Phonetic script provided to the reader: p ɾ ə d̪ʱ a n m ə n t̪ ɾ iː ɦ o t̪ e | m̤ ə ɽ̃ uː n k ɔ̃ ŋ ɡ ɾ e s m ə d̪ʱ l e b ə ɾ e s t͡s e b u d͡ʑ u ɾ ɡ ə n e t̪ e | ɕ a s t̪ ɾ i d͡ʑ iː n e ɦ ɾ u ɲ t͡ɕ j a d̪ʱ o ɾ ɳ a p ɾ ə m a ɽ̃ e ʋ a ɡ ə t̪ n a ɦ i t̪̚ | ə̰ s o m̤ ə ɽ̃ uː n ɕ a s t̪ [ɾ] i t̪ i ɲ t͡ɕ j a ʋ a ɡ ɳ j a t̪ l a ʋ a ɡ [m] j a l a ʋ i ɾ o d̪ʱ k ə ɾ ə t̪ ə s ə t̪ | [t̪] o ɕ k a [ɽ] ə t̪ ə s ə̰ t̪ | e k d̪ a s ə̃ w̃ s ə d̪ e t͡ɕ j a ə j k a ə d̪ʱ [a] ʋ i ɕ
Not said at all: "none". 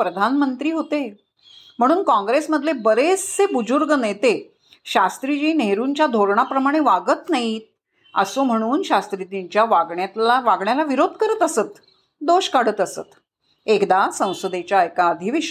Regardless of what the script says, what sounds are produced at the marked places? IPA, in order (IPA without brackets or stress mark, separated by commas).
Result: ɾ, ɳ, d̪, ɽ, i